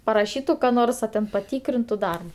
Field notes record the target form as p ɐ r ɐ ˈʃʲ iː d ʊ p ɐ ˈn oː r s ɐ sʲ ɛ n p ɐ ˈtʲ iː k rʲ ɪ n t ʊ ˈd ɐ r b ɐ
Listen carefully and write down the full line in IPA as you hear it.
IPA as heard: p ɐ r ɐ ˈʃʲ iː t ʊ k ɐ ˈn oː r s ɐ tʲ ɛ n p ɐ ˈtʲ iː k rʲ ɪ n t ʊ ˈd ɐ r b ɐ